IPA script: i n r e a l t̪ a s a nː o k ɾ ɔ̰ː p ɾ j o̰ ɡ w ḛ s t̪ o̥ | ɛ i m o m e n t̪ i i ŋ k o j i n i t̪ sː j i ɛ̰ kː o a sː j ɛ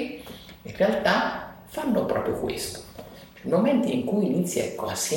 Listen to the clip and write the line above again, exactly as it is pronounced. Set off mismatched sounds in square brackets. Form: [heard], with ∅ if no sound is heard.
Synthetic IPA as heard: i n r e a l t̪ a [f] a nː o [p] ɾ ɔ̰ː p ɾ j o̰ [k] w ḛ s t̪ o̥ | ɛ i m o m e n t̪ i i ŋ k [u] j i n i t̪ sː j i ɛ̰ kː o a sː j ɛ